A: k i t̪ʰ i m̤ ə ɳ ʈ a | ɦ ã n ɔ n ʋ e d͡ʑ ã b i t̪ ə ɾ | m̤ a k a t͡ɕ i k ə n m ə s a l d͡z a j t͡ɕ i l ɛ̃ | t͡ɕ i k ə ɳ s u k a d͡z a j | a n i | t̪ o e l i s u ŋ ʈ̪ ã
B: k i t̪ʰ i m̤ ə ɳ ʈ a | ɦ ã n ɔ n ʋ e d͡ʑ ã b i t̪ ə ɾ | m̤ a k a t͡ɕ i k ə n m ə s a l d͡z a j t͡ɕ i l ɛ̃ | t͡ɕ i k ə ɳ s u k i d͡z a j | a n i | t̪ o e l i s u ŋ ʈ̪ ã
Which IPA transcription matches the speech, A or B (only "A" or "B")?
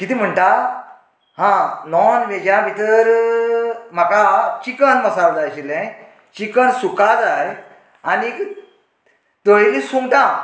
A